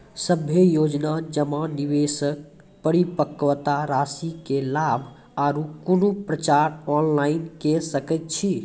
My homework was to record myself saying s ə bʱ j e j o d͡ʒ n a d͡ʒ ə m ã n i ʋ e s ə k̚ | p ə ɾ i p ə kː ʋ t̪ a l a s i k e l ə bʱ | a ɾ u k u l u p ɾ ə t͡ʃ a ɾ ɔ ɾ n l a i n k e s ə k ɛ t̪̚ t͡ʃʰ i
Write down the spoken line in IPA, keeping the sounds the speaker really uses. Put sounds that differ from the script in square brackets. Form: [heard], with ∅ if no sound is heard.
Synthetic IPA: s ə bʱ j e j o d͡ʒ n a d͡ʒ ə m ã n i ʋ e s ə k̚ | p ə ɾ i p ə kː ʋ t̪ a [ɾ] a s i k e l [a] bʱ | a ɾ u k u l u p ɾ ə t͡ʃ a ɾ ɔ [∅] n l a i n k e s ə k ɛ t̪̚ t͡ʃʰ i